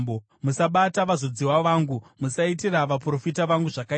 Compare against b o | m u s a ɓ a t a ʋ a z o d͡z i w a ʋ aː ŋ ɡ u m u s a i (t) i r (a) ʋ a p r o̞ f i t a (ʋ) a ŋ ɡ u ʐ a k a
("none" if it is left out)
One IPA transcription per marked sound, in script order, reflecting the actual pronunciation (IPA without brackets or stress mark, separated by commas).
t, a, ʋ